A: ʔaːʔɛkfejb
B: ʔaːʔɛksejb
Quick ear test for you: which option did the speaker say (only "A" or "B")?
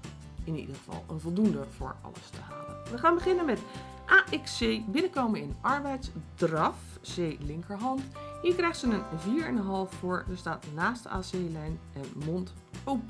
B